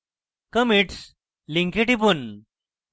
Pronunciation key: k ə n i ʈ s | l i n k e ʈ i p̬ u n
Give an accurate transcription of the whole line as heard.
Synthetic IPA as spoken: k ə m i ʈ s | l i ŋ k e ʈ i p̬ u n

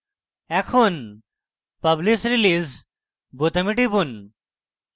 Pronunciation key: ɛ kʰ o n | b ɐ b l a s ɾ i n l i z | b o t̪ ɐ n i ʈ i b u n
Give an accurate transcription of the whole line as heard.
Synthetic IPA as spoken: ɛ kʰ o n | p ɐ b l i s ɾ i l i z | b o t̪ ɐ m i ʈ i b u n

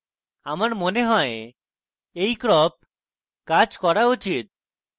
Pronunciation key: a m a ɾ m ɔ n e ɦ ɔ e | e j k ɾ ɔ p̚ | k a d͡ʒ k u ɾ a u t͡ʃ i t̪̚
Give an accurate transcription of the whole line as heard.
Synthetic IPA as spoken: a m a ɾ m o n e ɦ ɔ e | e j k ɾ ɔ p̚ | k a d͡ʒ k ɔ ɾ a u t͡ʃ i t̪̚

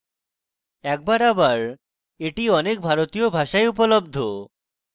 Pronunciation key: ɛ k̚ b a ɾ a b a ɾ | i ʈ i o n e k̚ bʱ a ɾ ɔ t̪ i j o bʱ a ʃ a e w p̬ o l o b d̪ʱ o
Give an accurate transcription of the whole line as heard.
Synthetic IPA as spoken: ɛ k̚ b a ɾ a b a ɾ | e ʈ i ɔ n e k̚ bʱ a ɾ o t̪ i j o bʱ a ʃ a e u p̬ o l o b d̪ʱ o

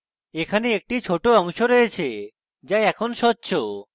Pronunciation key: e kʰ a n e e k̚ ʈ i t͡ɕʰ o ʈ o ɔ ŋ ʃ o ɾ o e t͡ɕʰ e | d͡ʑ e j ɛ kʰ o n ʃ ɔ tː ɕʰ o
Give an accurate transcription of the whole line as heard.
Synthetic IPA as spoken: e kʰ a n e e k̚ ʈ i t͡ɕʰ o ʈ o ɔ ŋ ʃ o ɾ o e t͡ɕʰ e | d͡ʑ a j ɛ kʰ o n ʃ ɔ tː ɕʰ o

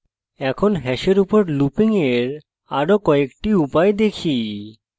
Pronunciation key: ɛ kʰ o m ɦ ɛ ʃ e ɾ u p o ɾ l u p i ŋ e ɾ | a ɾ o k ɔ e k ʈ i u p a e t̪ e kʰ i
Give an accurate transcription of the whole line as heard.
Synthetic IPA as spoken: ɛ kʰ o n ɦ ɛ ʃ e ɾ u p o ɾ l u p i ŋ e ɾ | a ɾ o k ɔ e k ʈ i u p a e d̪ e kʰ i

